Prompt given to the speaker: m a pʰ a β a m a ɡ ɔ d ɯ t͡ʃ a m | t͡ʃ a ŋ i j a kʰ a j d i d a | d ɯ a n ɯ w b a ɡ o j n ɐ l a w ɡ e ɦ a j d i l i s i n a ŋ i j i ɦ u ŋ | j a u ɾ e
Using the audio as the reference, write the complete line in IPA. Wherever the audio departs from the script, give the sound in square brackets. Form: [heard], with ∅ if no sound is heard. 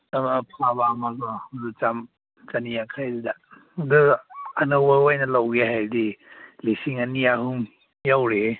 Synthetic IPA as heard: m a pʰ a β a m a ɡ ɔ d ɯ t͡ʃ a m | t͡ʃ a [n] i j a kʰ a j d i d a | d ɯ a n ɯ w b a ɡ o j n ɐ l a w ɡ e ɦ a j d i l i s i [ŋ] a [n] i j [a] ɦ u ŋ | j a [w] ɾ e